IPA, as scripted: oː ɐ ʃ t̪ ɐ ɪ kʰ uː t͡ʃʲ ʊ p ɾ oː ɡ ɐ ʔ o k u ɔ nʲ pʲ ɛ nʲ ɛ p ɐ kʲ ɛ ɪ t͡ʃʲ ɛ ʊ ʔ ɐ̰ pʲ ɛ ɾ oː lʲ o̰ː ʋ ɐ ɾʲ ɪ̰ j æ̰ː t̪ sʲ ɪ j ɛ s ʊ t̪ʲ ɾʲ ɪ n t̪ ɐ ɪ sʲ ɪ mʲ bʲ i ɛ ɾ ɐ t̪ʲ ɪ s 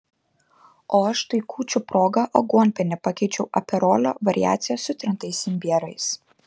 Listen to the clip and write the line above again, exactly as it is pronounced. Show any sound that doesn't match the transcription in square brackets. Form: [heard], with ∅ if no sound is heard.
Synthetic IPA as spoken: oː ɐ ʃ t̪ ɐ ɪ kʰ uː t͡ʃʲ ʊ p ɾ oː ɡ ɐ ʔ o [ɡ] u ɔ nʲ pʲ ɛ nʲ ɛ p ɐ kʲ ɛ ɪ t͡ʃʲ ɛ ʊ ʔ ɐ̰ pʲ ɛ ɾ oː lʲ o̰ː ʋ ɐ ɾʲ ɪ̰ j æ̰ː t̪ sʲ ɪ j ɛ s ʊ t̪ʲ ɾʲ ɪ n t̪ ɐ ɪ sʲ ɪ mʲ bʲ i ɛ ɾ ɐ [∅] ɪ s

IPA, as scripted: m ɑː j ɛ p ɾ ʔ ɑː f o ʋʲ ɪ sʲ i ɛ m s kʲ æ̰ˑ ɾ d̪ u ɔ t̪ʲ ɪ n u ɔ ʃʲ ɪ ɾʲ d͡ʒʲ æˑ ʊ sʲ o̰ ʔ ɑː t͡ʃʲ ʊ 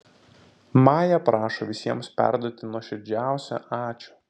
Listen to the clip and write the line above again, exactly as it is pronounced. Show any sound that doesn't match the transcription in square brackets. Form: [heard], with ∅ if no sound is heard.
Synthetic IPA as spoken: m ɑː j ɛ p ɾ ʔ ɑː [ʃ] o ʋʲ ɪ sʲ i ɛ m s [pʲ] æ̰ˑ ɾ d̪ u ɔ t̪ʲ ɪ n u ɔ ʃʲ ɪ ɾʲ d͡ʒʲ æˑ ʊ sʲ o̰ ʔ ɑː t͡ʃʲ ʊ

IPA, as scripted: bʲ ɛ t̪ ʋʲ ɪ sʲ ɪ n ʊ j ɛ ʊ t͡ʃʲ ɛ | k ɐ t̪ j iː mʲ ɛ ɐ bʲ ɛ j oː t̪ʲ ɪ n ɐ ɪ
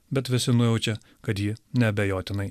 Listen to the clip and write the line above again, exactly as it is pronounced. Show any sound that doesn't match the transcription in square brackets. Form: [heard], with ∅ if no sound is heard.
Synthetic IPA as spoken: bʲ ɛ t̪ ʋʲ ɪ sʲ ɪ n ʊ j ɛ ʊ t͡ʃʲ ɛ | k ɐ t̪ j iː [nʲ] ɛ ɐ bʲ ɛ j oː t̪ʲ ɪ n ɐ ɪ

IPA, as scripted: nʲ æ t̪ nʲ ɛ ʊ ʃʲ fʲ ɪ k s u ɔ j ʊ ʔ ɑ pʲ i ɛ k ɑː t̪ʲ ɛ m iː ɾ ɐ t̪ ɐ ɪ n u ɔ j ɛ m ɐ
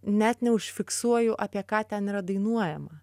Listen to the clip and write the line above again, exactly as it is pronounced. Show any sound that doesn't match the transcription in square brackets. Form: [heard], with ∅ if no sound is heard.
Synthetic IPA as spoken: nʲ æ t̪ nʲ ɛ ʊ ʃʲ fʲ ɪ k s u ɔ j ʊ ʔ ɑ pʲ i ɛ k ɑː t̪ʲ ɛ [n] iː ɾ ɐ [d̪] ɐ ɪ n u ɔ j ɛ m ɐ

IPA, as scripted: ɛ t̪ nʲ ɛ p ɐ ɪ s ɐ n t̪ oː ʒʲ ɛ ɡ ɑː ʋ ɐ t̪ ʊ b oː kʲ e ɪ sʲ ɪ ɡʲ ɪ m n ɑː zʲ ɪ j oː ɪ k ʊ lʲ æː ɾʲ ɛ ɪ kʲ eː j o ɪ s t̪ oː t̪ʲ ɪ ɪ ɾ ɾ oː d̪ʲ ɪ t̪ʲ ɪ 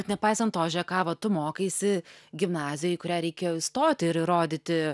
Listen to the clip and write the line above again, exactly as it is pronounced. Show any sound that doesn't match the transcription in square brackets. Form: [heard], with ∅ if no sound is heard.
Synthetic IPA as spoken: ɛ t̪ nʲ ɛ p ɐ ɪ s ɐ n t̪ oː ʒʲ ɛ [k] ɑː ʋ ɐ t̪ ʊ [m] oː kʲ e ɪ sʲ ɪ ɡʲ ɪ m n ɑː zʲ ɪ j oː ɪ k ʊ [ɾʲ] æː ɾʲ ɛ ɪ kʲ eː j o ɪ s t̪ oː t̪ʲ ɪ ɪ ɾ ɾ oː d̪ʲ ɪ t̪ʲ ɪ

